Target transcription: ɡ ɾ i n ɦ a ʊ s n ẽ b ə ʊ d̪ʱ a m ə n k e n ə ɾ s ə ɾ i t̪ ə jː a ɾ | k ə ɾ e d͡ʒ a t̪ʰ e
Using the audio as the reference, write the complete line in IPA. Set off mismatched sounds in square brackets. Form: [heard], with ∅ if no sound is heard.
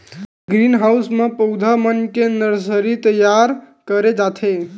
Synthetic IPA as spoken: ɡ ɾ i n ɦ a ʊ s [m] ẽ [p] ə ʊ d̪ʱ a m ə n k e n ə ɾ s ə ɾ i t̪ ə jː a ɾ | k ə ɾ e d͡ʒ a t̪ʰ e